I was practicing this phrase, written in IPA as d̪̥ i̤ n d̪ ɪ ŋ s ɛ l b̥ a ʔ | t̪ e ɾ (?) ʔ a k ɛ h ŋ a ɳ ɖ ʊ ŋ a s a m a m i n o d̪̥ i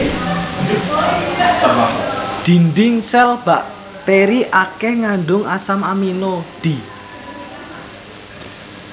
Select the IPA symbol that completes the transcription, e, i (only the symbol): i